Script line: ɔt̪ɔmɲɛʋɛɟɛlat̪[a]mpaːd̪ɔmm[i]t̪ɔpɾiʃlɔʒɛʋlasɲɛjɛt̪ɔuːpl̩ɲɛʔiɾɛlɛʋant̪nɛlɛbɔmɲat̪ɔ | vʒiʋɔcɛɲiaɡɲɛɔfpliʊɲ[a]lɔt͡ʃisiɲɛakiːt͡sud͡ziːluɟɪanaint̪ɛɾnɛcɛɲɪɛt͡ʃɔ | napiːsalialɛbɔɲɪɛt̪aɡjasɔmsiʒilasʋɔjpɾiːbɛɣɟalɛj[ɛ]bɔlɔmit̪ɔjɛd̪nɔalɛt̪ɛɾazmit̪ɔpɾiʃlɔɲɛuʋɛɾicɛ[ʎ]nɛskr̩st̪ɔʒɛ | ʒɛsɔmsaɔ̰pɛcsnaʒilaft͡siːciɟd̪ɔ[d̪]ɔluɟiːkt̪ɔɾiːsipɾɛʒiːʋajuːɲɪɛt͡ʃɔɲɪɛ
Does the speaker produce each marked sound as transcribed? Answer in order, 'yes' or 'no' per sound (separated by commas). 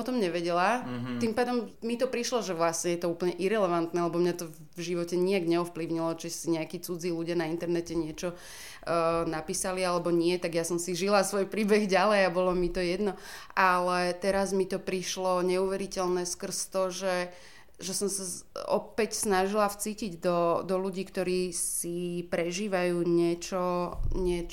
no, yes, no, no, no, yes